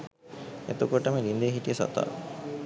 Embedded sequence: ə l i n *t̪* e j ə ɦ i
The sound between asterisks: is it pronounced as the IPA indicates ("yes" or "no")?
no